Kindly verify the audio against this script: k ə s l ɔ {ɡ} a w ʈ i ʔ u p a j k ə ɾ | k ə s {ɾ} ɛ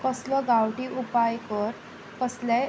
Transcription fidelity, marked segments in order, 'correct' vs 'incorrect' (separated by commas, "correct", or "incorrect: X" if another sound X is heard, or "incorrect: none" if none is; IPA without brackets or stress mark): correct, incorrect: l